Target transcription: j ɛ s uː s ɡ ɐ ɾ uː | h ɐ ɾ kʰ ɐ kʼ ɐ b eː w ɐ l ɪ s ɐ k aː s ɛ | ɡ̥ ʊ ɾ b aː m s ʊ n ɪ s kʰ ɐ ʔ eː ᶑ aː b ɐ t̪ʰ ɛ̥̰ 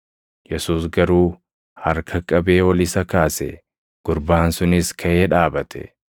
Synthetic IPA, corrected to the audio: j ɛ s uː s ɡ ɐ ɾ uː | h ɐ ɾ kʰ ɐ kʼ ɐ b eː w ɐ l ɪ s ɐ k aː s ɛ | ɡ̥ ʊ ɾ b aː n s ʊ n ɪ s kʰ ɐ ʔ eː ᶑ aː b ɐ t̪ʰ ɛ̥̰

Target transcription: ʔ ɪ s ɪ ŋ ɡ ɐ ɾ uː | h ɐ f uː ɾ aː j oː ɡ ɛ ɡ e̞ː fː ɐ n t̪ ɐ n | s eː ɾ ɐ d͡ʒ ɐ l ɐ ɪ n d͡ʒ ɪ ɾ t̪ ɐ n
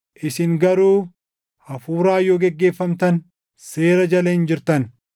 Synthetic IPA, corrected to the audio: ʔ ɪ s ɪ ŋ ɡ ɐ ɾ uː | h ɐ f uː ɾ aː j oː ɡ ɛ ɡː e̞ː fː ɐ m t̪ ɐ n | s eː ɾ ɐ d͡ʒ ɐ l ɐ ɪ n d͡ʒ ɪ ɾ t̪ ɐ n

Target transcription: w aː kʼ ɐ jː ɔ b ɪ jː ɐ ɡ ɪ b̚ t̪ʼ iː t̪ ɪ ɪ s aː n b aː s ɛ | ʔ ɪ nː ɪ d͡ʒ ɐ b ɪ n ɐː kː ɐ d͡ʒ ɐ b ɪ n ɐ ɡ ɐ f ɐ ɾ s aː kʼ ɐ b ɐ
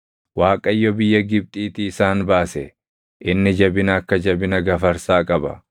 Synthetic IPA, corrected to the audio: w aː kʼ ɐ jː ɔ b ɪ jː ɐ ɡ ɪ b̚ t̪ʼ iː t̪ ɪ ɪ s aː n b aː s ɛ | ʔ ɪ nː ɪ d͡ʒ ɐ b ɪ n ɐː kː ɐ d͡ʒ ɐ b ɪ n ɐ ɡ ɐ f ɐ ɾ s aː kʼ ɐ b ɐ

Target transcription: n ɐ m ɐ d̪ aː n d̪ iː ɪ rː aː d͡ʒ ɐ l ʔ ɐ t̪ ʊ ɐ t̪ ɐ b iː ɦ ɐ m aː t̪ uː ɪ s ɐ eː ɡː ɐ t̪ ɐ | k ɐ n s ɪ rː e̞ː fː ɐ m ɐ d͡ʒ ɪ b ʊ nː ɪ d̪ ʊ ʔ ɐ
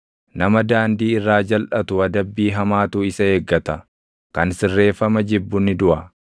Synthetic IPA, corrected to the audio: n ɐ m ɐ d̪ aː n d̪ iː ɪ rː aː d͡ʒ ɐ l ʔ ɐ t̪ ʊ ɐ d̪ ɐ bː iː ɦ ɐ m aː t̪ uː ɪ s ɐ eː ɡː ɐ t̪ ɐ | k ɐ n s ɪ rː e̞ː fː ɐ m ɐ d͡ʒ ɪ bː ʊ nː ɪ d̪ ʊ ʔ ɐ

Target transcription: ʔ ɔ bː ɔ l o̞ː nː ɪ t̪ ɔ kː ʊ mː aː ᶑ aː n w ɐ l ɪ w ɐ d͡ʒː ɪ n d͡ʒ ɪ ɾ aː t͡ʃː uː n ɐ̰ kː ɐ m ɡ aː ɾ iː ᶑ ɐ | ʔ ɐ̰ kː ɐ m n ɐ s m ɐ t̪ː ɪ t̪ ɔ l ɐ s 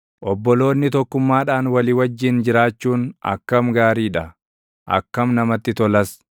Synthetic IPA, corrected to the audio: ʔ ɔ bː ɔ l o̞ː nː ɪ t̪ ɔ kː ʊ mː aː ᶑ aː n w ɐ l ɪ w ɐ d͡ʒː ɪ n d͡ʒ ɪ ɾ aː t͡ʃː uː n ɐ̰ kː ɐ m ɡ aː ɾ iː ᶑ ɐ | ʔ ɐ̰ kː ɐ m n ɐ m ɐ t̪ː ɪ t̪ ɔ l ɐ s

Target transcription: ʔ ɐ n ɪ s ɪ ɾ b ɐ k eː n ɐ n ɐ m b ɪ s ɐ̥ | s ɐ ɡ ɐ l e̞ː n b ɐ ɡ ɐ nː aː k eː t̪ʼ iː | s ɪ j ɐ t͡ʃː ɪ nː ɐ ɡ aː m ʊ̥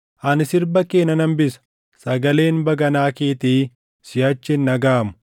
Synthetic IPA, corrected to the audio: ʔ ɐ n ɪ s ɪ ɾ b ɐ k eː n ɐ n ɐ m b ɪ s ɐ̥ | s ɐ ɡ ɐ l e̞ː n b ɐ ɡ ɐ n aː k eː t̪ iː | s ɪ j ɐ t͡ʃː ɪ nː ɐ ɡ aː m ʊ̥

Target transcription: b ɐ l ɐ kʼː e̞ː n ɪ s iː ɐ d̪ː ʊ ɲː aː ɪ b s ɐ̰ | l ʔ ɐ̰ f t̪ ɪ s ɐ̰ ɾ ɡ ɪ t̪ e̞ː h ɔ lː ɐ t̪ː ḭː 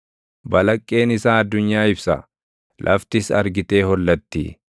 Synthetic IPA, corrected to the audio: b ɐ l ɐ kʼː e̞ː n ɪ s aː ɐ d̪ː ʊ ɲː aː ɪ b s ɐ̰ | l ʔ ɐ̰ f t̪ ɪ s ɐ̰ ɾ ɡ ɪ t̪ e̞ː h ɔ lː ɐ t̪ː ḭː

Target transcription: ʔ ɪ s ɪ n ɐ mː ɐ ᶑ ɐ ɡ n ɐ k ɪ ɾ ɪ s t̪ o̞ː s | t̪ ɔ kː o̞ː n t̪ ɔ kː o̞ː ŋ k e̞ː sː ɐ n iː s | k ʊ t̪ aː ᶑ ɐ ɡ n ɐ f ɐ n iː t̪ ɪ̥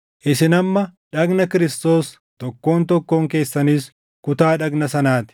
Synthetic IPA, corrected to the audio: ʔ ɪ s ɪ n ɐ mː ɐ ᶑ ɐ ɡ n ɐ k ɪ ɾ ɪ s t̪ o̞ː s | t̪ ɔ kː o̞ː n t̪ ɔ kː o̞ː ŋ k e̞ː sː ɐ n iː s | k ʊ t̪ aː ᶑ ɐ ɡ n ɐ s ɐ n aː t̪ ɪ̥

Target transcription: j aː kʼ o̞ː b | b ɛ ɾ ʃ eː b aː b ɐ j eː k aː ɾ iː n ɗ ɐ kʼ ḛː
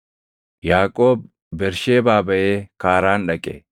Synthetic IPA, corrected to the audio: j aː kʼ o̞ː b | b ɛ ɾ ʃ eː b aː b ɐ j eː k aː ɾ aː n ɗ ɐ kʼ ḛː

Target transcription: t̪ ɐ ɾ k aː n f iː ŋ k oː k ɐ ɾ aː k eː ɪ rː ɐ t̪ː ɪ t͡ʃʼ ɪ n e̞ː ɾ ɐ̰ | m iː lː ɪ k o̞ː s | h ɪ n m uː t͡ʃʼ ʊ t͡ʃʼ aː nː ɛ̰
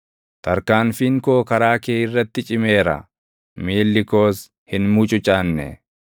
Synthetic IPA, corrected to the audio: t̪ ɐ ɾ k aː n f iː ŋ k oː k ɐ ɾ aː k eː ɪ rː ɐ t̪ː ɪ t͡ʃʼ ɪ m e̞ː ɾ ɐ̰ | m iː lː ɪ k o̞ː s | h ɪ n m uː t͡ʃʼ ʊ t͡ʃʼ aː nː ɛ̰

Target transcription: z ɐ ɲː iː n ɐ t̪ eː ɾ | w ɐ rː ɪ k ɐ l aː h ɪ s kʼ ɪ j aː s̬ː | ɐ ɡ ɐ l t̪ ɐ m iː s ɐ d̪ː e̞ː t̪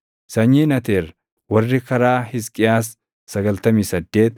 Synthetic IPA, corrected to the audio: s ɐ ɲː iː n ɐ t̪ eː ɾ | w ɐ rː ɪ k ɐ ɾ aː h ɪ s kʼ ɪ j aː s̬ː | ɐ ɡ ɐ l t̪ ɐ m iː s ɐ d̪ː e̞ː t̪

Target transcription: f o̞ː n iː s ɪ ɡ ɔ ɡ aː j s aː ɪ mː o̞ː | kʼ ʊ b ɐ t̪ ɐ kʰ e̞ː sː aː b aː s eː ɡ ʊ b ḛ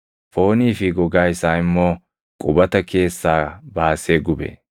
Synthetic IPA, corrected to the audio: f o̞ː n iː f ɪ ɡ ɔ ɡ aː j s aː ɪ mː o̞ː | kʼ ʊ b ɐ t̪ ɐ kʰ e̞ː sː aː b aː s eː ɡ ʊ b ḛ

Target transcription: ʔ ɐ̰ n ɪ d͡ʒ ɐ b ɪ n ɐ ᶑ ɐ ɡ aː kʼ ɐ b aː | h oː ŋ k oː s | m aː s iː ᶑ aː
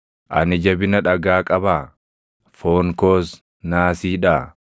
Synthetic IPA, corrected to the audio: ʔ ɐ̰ n ɪ d͡ʒ ɐ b ɪ n ɐ ᶑ ɐ ɡ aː kʼ ɐ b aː | f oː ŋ k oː s | n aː s iː ᶑ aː

